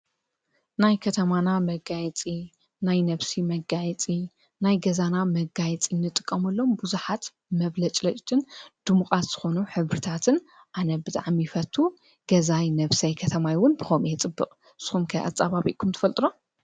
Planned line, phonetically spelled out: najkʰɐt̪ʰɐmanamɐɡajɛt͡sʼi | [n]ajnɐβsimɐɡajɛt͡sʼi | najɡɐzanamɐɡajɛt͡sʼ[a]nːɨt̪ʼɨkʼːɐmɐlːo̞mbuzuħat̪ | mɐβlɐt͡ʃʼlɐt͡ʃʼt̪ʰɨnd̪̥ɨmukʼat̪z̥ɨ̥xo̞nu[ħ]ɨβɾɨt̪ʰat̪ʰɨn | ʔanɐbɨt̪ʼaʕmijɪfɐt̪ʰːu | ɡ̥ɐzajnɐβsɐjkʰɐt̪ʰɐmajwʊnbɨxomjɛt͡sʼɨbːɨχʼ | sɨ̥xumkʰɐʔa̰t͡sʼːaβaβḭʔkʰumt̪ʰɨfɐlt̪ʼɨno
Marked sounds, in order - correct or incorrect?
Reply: correct, incorrect, correct

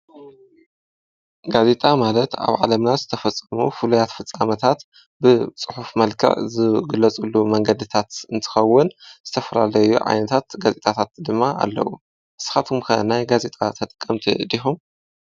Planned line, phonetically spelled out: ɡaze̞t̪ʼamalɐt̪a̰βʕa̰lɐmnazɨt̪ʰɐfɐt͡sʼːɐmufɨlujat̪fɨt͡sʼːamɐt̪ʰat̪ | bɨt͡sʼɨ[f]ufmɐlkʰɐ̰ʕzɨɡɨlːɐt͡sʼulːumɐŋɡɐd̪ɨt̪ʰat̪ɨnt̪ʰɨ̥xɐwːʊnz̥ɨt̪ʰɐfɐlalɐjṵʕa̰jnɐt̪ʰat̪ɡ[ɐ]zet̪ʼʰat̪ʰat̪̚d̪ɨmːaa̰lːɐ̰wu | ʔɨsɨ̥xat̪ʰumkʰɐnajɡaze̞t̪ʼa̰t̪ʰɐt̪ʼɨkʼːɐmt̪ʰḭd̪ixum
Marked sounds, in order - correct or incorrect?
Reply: incorrect, incorrect

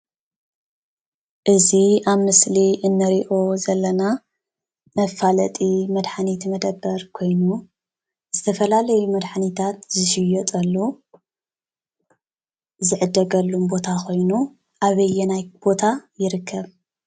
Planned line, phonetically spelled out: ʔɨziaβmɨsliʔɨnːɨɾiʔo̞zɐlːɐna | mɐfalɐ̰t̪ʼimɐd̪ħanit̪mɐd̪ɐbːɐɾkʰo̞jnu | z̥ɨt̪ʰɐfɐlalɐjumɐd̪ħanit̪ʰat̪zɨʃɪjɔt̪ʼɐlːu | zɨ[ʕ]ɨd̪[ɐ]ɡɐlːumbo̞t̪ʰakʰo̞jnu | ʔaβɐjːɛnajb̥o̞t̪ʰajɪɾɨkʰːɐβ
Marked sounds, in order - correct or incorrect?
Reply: correct, correct

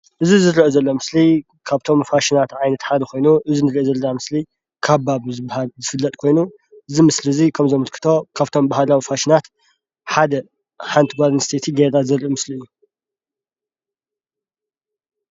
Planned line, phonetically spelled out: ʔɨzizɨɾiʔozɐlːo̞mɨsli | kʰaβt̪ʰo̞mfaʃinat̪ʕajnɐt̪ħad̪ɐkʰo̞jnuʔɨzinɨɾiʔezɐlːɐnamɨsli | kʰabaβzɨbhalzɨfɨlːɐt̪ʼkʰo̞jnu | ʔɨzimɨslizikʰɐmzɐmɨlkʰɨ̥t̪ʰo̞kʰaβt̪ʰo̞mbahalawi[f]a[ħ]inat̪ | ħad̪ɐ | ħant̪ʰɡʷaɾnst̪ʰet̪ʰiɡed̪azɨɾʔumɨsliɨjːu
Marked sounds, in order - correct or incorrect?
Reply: correct, incorrect

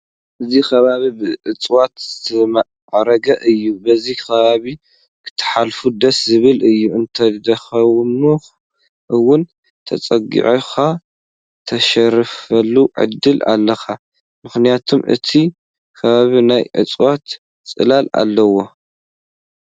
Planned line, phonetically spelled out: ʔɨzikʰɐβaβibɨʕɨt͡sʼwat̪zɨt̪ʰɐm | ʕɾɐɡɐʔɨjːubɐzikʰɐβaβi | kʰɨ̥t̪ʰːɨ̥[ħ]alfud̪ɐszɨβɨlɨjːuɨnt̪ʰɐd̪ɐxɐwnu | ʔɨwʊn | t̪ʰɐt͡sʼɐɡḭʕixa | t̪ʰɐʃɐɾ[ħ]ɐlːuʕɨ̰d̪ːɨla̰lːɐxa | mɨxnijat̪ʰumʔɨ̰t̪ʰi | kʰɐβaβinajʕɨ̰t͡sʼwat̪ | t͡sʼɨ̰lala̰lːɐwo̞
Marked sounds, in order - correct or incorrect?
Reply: correct, incorrect

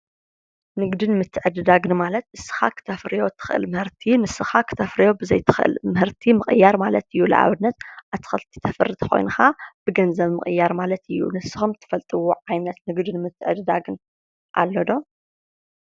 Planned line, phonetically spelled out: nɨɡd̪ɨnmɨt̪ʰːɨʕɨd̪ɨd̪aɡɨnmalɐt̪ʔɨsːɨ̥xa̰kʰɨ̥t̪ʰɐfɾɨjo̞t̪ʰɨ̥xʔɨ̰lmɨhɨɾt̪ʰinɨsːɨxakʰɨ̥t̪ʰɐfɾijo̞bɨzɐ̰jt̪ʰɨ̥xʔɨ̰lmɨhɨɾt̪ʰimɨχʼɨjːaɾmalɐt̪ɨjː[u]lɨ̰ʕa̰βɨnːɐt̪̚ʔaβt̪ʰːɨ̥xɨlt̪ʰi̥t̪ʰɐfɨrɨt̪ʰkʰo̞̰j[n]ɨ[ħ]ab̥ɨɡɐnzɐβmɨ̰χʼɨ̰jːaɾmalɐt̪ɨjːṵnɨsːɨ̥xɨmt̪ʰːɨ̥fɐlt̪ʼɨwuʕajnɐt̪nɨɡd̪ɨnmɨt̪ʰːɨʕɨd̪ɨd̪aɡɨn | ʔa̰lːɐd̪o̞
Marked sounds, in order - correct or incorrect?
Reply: correct, correct, incorrect

